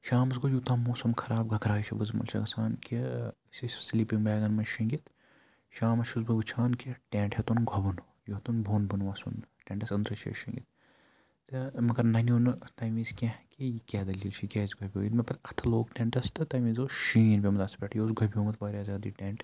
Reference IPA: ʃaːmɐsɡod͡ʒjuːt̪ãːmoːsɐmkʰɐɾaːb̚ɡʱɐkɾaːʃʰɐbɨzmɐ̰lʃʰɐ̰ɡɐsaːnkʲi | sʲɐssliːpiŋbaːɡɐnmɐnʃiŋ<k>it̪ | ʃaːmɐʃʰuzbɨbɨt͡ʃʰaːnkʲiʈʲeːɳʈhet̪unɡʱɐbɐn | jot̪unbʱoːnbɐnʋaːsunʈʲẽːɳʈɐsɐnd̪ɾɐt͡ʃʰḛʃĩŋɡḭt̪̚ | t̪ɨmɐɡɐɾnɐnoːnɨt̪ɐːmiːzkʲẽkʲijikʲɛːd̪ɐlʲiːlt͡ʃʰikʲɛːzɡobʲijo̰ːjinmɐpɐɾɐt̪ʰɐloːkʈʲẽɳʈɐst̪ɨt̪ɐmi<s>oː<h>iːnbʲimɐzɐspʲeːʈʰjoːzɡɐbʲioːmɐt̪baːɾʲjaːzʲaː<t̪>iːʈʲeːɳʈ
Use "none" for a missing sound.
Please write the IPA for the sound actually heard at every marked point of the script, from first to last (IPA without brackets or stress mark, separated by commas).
ɡ, z, ʃ, d̪